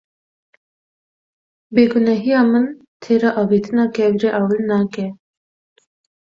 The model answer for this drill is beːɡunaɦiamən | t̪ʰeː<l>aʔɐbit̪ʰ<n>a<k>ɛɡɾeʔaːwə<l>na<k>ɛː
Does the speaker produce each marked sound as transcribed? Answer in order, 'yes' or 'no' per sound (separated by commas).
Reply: no, yes, yes, yes, yes